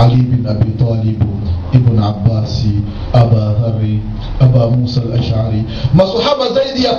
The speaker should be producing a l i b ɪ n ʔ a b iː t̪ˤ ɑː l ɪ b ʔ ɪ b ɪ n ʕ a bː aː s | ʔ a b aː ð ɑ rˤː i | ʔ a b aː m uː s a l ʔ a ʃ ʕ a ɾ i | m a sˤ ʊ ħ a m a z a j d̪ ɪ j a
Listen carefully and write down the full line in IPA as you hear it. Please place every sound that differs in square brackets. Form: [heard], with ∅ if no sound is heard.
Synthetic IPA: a l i b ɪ n ʔ a b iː t̪ˤ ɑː l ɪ b ʔ ɪ b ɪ n ʕ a bː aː s | ʔ a b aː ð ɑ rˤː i | ʔ a b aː m uː s a l ʔ a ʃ ʕ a ɾ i | m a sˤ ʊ ħ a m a z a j d̪ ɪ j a